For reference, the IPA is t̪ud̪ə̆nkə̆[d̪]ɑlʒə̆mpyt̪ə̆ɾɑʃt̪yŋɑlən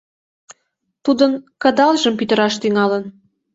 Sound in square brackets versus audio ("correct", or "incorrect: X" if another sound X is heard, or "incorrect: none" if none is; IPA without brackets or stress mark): correct